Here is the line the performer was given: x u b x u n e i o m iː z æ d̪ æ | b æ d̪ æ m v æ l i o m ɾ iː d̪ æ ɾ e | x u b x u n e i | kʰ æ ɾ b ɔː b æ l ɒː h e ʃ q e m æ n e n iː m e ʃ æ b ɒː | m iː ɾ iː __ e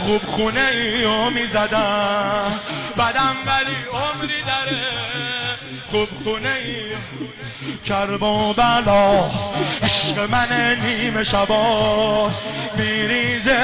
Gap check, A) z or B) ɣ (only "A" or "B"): A